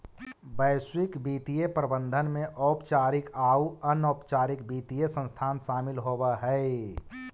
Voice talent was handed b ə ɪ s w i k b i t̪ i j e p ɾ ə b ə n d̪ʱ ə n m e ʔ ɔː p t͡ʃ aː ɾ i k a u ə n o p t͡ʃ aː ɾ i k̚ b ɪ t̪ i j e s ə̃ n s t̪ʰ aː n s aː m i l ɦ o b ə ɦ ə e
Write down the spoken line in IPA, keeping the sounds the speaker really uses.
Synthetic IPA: b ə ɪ s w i k b i t̪ i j e p ɾ ə b ə n d̪ʱ ə n m e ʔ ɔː p t͡ʃ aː ɾ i k a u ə n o p t͡ʃ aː ɾ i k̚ b i t̪ i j e s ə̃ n s t̪ʰ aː n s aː m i l ɦ o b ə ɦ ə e